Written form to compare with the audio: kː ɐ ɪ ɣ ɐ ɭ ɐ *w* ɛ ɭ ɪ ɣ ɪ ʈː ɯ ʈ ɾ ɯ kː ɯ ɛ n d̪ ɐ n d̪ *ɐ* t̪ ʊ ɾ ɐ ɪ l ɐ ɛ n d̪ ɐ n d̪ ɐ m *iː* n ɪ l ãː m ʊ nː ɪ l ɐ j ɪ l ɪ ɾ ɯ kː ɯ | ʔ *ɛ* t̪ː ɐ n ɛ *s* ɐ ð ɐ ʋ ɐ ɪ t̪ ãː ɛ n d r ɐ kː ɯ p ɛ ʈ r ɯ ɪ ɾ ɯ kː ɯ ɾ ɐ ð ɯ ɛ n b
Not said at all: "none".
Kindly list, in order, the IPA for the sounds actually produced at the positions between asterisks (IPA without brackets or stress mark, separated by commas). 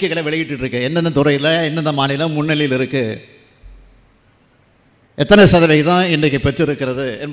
ʋ, ɐ, aː, ɛ, s